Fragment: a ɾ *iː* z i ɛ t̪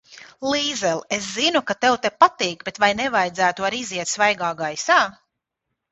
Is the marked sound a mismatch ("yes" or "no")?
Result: yes